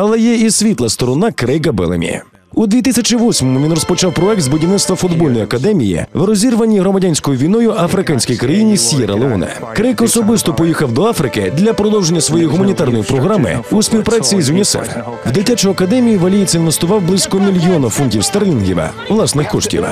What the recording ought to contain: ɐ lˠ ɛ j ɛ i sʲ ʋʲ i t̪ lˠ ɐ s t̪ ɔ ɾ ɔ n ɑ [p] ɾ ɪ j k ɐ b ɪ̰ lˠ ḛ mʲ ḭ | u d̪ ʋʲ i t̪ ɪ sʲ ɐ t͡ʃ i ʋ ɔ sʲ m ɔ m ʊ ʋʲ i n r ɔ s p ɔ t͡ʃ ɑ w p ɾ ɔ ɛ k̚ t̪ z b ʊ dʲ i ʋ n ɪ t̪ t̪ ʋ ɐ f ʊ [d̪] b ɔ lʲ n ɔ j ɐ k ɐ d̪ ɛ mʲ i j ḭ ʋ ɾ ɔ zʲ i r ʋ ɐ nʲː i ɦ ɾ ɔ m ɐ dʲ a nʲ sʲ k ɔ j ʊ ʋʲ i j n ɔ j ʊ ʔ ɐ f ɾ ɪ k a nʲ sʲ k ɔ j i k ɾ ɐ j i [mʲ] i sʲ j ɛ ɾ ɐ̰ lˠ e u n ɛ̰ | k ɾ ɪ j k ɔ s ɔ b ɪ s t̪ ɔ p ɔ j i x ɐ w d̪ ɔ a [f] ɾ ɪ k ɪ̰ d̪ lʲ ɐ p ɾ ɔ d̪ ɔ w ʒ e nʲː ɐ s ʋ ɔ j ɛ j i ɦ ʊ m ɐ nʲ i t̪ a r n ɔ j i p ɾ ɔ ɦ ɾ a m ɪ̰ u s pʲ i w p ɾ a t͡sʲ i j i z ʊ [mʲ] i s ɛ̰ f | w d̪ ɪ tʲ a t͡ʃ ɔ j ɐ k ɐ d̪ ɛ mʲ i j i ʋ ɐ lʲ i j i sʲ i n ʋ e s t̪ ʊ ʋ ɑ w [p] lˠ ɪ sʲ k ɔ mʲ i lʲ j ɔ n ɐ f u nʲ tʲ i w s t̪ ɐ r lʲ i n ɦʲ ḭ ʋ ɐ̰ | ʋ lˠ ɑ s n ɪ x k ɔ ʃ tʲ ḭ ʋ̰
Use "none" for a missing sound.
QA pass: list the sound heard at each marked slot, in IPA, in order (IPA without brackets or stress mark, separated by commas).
k, d̪, nʲ, f, nʲ, b